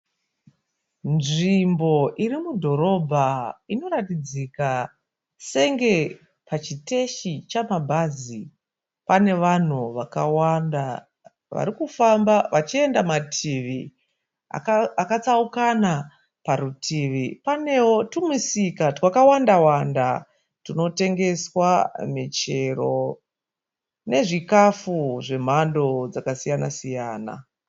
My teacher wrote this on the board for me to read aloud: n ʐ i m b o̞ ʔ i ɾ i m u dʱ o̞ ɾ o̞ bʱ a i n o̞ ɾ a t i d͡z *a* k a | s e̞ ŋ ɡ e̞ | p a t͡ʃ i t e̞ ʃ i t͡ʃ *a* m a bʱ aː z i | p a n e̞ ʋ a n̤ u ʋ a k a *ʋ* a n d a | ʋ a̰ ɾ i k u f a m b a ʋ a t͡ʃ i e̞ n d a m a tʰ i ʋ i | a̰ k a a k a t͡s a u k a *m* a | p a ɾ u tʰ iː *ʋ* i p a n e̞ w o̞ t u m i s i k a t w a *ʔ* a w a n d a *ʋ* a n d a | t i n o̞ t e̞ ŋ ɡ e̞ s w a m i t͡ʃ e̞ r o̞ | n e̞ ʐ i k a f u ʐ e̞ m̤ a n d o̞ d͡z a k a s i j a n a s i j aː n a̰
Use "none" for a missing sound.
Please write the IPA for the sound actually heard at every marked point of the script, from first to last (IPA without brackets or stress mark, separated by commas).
i, a, w, n, ʋ, k, w